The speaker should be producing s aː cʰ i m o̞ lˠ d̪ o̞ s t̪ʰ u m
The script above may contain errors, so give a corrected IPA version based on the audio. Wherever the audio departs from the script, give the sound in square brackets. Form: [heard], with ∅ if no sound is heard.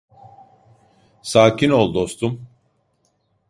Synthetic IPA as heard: s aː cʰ i [n] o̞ lˠ d̪ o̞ s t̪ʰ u m